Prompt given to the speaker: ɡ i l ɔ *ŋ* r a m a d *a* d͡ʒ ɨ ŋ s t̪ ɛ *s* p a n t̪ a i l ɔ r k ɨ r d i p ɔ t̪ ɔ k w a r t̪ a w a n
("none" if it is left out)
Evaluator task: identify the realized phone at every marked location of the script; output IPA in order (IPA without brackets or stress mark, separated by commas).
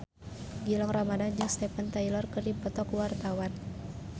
ŋ, a, none